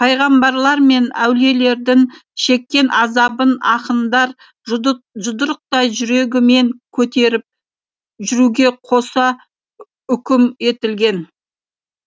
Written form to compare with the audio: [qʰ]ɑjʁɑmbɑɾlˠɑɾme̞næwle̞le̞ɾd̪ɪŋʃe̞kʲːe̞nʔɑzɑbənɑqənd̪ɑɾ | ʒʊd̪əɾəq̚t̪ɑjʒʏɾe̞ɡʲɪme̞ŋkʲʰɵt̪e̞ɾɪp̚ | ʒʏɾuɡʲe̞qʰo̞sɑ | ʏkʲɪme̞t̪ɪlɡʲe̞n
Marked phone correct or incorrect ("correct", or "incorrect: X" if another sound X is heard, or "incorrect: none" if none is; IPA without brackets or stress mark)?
incorrect: pʰ